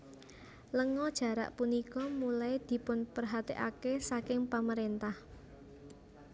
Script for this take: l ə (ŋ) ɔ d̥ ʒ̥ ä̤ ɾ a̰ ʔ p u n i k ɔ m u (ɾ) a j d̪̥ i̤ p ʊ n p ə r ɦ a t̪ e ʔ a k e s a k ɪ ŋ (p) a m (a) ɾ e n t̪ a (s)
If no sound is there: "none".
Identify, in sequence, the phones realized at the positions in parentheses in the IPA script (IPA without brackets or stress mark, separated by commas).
ŋ, l, p, ə, h